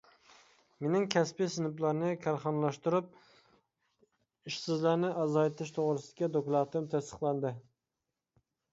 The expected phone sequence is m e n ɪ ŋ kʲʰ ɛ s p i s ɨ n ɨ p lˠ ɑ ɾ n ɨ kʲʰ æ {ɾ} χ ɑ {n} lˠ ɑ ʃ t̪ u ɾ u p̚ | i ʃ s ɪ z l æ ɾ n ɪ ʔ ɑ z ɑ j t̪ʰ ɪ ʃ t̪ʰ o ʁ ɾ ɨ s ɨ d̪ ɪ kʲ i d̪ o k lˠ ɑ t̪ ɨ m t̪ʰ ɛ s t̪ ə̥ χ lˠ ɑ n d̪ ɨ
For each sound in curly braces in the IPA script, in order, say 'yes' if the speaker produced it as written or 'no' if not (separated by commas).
yes, yes